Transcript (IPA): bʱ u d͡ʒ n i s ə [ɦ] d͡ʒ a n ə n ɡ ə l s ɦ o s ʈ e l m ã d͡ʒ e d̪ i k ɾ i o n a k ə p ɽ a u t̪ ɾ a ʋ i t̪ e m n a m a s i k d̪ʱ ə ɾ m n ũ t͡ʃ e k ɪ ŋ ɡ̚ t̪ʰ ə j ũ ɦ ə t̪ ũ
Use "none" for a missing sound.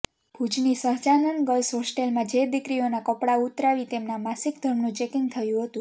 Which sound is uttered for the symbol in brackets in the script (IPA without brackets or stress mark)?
ɦ